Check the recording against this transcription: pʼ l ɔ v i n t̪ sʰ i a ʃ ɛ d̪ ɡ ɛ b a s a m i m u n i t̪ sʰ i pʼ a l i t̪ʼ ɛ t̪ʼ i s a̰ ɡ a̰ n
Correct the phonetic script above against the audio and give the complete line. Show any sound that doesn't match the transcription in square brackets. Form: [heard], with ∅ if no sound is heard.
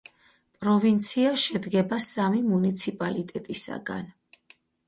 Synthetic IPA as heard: pʼ [ɾ] ɔ v i n t̪ sʰ i a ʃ ɛ d̪ ɡ ɛ b a s a m i m u n i t̪ sʰ i pʼ a l i t̪ʼ ɛ t̪ʼ i s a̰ ɡ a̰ n